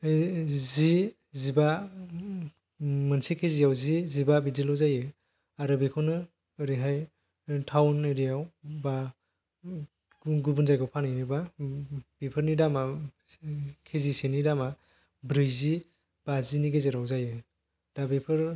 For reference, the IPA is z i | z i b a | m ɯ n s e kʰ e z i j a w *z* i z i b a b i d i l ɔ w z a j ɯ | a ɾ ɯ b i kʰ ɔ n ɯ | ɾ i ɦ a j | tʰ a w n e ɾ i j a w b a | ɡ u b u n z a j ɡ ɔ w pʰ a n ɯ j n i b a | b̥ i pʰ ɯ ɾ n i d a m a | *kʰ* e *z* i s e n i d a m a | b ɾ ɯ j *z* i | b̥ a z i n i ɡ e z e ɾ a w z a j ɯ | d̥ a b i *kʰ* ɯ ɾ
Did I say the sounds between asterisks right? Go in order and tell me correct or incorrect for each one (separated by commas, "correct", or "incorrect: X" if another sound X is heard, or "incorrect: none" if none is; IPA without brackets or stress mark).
correct, correct, correct, correct, incorrect: pʰ